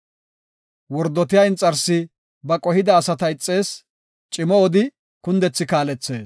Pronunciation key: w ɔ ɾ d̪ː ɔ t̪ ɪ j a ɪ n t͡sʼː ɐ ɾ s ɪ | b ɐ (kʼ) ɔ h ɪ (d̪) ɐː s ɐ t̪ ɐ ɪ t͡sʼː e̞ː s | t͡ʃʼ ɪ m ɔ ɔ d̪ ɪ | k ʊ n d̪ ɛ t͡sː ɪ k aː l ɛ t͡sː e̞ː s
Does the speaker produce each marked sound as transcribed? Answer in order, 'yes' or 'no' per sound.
yes, yes

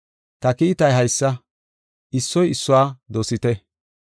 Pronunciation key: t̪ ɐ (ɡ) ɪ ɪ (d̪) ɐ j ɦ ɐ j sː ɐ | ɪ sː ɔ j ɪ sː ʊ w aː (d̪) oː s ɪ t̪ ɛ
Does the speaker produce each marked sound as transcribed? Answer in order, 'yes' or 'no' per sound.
no, no, yes

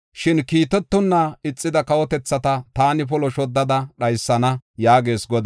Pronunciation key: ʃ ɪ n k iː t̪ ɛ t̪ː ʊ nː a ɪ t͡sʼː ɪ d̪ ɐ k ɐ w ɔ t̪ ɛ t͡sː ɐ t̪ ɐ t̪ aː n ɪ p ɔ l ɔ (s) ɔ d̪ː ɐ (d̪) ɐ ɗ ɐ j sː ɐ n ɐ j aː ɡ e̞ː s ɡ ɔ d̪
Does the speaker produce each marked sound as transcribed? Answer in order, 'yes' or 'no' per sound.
no, yes

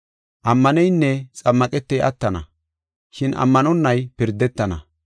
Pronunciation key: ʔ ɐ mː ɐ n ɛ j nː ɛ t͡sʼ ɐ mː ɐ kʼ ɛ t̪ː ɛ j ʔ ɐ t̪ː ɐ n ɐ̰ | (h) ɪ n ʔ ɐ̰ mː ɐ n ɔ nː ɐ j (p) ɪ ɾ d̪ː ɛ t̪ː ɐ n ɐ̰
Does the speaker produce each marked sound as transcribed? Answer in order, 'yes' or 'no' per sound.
no, yes

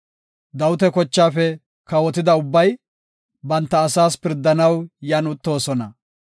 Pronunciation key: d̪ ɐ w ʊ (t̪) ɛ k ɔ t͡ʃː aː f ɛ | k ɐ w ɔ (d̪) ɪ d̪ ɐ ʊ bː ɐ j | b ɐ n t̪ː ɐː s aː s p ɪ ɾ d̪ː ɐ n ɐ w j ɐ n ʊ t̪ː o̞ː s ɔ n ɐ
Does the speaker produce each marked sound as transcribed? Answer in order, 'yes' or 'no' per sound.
yes, no

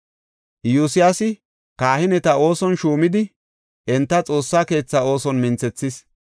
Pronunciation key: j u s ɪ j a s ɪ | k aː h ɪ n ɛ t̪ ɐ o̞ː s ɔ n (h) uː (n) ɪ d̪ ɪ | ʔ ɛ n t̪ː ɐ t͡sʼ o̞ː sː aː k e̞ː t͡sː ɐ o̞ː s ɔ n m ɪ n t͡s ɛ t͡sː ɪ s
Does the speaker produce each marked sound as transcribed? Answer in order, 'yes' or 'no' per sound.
no, no

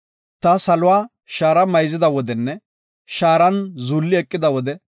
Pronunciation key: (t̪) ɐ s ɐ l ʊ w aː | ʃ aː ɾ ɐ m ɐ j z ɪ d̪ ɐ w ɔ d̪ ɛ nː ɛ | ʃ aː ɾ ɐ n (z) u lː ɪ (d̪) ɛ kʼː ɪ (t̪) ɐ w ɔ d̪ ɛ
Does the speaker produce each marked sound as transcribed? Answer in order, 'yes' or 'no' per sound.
yes, yes, no, no

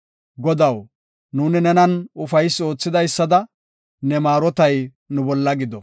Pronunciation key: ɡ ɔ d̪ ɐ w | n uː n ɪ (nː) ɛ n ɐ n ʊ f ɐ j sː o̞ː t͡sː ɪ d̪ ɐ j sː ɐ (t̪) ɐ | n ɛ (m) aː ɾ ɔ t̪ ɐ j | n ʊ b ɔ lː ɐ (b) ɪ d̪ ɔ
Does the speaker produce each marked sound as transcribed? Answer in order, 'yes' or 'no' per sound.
no, no, yes, no

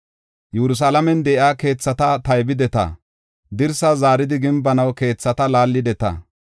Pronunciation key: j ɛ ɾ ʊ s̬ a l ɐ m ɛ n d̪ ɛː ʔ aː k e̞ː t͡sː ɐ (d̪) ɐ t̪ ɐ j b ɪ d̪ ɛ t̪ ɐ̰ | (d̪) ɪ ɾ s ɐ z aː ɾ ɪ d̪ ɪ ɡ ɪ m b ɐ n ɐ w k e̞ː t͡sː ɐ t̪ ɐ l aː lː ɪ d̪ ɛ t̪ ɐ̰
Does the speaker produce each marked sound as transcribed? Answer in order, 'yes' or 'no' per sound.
no, yes

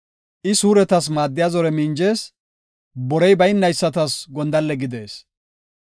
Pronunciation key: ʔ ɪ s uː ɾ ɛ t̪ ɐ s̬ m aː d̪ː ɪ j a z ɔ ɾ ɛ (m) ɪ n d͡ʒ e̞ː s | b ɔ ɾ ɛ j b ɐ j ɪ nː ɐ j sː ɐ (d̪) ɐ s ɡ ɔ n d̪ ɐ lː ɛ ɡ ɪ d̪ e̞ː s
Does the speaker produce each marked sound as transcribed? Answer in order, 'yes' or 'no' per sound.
yes, no

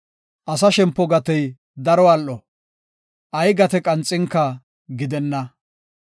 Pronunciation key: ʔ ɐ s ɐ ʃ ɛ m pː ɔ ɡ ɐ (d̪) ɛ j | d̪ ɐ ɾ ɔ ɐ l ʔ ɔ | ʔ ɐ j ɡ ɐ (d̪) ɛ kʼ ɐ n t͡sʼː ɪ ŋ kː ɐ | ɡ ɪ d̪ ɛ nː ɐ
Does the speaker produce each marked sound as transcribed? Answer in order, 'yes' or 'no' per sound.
no, no

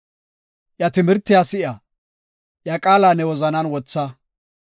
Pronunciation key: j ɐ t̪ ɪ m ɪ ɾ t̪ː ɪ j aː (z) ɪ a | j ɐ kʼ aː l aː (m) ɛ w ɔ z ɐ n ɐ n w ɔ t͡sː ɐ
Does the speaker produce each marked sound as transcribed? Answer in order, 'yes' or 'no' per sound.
no, no

